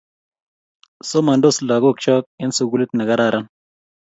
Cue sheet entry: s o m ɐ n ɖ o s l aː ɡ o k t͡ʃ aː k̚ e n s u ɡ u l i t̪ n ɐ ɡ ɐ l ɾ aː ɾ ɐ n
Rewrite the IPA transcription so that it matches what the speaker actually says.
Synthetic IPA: s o m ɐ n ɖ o s l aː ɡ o k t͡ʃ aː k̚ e n s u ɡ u l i t̪ n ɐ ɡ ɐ ɾ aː ɾ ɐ n